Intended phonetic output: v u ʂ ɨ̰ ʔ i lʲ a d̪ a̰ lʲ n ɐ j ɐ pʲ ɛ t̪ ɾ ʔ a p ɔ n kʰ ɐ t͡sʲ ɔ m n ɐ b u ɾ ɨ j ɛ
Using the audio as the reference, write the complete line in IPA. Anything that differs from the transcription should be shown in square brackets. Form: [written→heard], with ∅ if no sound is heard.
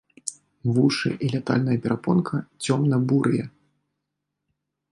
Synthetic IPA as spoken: v u ʂ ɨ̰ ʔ i lʲ a [d̪→t̪] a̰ lʲ n ɐ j ɐ pʲ ɛ [t̪→∅] ɾ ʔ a p ɔ n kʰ ɐ t͡sʲ ɔ m n ɐ b u ɾ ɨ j ɛ